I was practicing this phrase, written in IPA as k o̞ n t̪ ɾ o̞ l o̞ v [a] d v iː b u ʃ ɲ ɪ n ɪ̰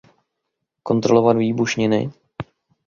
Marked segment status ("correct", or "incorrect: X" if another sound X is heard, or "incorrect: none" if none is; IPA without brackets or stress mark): correct